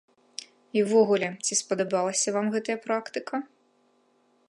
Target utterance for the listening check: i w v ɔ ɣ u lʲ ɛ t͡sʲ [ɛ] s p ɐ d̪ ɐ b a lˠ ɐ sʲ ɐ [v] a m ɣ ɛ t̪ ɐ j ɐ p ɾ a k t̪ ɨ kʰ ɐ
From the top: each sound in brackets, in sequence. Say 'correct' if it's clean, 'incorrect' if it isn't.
incorrect: i, correct

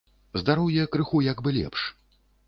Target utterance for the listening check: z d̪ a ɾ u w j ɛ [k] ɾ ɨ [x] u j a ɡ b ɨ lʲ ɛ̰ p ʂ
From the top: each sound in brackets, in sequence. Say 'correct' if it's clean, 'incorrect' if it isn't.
correct, correct

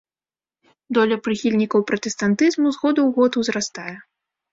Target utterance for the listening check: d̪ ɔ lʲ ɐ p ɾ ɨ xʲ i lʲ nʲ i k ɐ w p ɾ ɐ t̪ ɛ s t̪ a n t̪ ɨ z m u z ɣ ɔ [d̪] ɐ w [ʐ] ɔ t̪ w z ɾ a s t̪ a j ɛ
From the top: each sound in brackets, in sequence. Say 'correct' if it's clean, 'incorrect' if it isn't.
correct, incorrect: ɣ

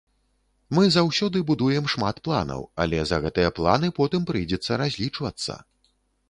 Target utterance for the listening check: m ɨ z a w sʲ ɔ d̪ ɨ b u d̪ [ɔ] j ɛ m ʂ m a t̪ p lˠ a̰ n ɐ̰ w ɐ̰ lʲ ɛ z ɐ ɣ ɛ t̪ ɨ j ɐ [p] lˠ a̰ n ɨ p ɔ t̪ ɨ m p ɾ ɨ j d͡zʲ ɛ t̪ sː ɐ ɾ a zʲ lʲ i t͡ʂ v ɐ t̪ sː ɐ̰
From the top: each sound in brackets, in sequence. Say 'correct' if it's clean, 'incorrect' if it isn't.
incorrect: u, correct

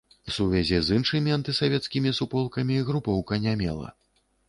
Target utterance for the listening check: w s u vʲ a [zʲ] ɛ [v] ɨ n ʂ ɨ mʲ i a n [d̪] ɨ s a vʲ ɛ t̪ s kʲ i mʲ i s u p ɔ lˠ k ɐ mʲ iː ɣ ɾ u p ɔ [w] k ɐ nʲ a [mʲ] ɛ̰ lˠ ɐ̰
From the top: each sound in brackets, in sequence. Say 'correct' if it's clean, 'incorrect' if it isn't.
correct, incorrect: z, incorrect: t̪, correct, correct

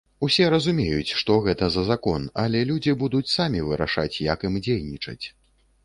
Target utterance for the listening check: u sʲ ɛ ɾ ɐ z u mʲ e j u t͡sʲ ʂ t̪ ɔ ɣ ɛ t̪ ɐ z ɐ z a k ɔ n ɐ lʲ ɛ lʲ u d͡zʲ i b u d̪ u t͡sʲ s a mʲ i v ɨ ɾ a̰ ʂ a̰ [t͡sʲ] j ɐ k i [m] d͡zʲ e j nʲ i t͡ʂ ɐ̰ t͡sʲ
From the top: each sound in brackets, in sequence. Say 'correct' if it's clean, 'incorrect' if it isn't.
correct, correct

